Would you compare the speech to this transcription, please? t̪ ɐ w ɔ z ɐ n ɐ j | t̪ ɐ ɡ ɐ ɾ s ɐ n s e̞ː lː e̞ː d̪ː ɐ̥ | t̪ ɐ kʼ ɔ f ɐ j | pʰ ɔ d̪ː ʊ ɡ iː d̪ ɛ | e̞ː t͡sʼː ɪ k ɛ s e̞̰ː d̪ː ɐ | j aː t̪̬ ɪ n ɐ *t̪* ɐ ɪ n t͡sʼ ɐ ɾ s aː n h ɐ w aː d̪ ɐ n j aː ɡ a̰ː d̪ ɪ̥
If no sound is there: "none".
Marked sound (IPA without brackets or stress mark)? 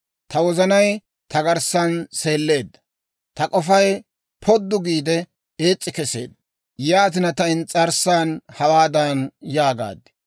t̪